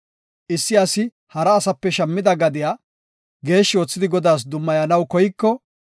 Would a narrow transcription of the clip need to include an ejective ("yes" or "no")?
no